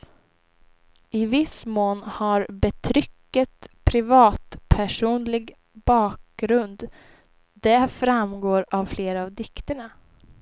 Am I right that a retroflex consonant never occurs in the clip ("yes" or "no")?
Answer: no